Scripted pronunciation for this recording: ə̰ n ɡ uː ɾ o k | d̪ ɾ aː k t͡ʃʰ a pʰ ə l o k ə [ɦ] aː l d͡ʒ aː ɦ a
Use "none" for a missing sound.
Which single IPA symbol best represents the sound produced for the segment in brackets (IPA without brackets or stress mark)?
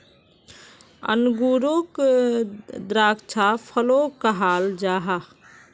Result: ɦ